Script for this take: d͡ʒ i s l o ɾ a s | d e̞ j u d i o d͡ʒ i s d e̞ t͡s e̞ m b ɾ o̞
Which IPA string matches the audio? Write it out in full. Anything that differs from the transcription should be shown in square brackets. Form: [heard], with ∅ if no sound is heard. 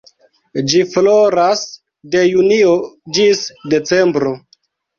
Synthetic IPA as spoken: d͡ʒ i [f] l o ɾ a s | d e̞ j u [n] i o d͡ʒ i s d e̞ t͡s e̞ m b ɾ o̞